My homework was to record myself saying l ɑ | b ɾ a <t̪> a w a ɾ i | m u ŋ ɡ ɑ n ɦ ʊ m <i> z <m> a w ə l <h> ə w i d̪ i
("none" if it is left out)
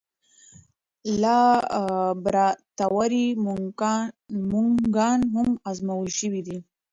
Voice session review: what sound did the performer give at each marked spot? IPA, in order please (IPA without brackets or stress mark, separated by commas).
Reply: t̪, a, m, ʃ